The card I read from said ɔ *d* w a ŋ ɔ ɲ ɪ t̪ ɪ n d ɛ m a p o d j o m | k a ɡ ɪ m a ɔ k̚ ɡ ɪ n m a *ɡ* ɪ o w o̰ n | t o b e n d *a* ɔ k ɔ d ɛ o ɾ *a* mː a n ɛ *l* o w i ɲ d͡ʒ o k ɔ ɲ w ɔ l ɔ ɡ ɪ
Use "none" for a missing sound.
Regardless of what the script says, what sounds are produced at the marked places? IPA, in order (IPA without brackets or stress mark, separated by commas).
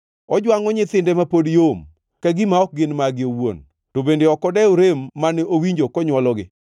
d͡ʒ, ɡ, e, e, none